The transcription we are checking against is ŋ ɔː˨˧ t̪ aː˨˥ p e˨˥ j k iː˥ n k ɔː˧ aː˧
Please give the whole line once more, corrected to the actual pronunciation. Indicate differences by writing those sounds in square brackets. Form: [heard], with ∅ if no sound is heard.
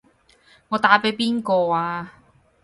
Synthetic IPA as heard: ŋ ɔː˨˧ t̪ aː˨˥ p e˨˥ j [p] iː˥ n k ɔː˧ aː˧